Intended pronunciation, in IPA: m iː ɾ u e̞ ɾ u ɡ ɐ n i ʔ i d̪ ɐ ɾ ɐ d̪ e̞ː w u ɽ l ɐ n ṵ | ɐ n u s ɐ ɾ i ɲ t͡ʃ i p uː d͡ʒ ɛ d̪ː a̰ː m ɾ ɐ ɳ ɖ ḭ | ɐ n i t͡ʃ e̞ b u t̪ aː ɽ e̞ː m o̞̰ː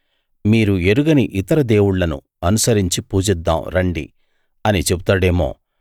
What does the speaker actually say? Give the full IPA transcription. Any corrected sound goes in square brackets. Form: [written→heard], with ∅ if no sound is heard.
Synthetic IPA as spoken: m iː ɾ u e̞ ɾ u ɡ ɐ n i ʔ i [d̪→t̪] ɐ ɾ ɐ d̪ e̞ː w u ɽ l ɐ n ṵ | ɐ n u s ɐ ɾ i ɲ t͡ʃ i p uː d͡ʒ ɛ d̪ː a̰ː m ɾ ɐ ɳ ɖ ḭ | ɐ n i t͡ʃ e̞ b u t̪ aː ɽ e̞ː m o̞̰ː